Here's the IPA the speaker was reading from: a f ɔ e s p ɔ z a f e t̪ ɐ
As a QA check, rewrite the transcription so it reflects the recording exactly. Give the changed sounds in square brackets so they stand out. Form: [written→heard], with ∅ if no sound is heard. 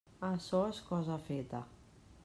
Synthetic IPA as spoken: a [f→s] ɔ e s [p→k] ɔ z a f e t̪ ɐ